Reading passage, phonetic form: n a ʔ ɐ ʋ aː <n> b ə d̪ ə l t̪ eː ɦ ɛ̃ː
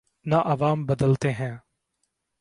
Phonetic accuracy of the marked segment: incorrect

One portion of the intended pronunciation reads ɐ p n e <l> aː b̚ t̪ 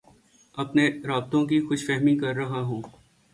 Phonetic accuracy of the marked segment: incorrect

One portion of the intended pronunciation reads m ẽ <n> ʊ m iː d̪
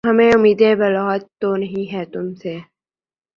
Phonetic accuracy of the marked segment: incorrect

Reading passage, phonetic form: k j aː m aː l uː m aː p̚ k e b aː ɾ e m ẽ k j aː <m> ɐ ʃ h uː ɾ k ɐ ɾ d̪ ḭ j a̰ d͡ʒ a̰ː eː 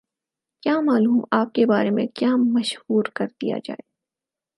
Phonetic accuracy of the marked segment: correct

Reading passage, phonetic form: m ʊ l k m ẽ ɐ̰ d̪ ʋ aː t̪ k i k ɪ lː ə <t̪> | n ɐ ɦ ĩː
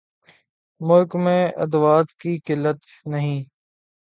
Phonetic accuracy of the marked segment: correct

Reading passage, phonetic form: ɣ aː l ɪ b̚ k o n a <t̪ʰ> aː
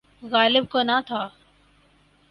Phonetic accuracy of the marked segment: correct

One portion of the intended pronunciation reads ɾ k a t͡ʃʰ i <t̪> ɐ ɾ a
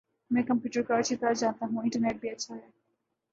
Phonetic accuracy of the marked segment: correct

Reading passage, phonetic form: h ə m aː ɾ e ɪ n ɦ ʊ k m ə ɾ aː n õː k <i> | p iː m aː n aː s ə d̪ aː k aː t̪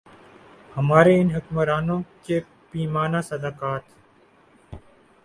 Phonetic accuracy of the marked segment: incorrect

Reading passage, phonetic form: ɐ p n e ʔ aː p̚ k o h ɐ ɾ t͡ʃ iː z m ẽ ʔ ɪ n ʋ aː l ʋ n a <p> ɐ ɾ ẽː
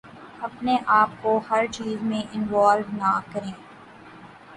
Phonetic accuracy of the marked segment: incorrect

